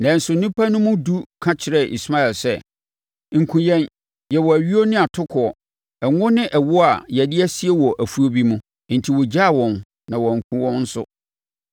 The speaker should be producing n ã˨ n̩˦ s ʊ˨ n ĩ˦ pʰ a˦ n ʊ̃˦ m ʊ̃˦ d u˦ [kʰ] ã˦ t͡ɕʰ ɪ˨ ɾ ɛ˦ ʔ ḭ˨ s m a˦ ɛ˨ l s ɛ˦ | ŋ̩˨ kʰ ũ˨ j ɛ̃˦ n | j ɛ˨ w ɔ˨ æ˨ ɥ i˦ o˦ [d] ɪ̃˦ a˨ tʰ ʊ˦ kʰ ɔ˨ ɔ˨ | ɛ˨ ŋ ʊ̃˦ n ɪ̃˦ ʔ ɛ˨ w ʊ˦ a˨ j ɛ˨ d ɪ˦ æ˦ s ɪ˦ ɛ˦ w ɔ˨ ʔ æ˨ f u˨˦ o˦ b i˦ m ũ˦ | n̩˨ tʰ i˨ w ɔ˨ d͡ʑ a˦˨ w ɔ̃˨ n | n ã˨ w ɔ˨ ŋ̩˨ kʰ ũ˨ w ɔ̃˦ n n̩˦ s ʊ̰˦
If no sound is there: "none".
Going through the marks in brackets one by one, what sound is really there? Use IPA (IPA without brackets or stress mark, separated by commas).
kʰ, n